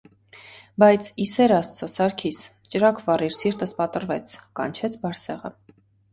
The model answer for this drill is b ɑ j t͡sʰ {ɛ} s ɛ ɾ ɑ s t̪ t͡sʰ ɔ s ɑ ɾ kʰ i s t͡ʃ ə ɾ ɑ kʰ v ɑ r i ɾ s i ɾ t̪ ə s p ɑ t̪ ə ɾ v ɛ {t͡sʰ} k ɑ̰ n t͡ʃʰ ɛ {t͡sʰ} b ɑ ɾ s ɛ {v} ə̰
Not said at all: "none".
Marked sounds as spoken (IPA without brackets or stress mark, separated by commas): i, t͡sʰ, t͡sʰ, ʁ